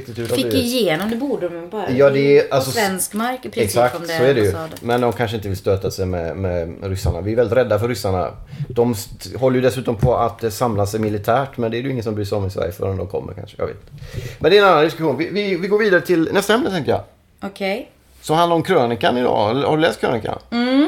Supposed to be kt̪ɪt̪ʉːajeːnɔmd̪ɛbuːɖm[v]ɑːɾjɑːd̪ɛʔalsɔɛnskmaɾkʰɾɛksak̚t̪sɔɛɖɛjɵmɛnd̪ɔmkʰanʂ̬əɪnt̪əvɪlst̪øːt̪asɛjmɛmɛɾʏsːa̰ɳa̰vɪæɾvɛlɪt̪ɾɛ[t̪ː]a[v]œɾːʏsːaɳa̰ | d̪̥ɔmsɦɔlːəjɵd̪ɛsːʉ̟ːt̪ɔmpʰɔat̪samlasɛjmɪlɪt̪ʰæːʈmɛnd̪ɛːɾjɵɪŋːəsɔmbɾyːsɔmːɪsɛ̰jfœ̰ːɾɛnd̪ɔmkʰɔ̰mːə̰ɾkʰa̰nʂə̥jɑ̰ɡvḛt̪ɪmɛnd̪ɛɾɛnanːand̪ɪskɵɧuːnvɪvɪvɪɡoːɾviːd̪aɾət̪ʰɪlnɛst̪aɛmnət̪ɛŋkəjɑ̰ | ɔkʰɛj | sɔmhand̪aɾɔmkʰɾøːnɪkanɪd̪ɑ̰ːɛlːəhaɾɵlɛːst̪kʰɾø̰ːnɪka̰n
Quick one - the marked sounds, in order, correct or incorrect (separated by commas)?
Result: incorrect, incorrect, incorrect